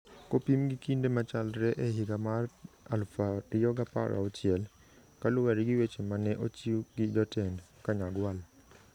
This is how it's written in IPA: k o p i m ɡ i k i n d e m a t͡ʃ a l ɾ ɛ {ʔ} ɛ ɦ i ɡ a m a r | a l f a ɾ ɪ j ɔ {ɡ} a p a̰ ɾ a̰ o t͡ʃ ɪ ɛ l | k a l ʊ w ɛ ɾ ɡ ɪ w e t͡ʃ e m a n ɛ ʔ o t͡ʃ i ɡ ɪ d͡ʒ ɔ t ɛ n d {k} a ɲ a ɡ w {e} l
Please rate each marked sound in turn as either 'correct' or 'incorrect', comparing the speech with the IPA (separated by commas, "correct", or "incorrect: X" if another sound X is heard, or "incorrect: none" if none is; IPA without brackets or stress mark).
correct, correct, correct, incorrect: a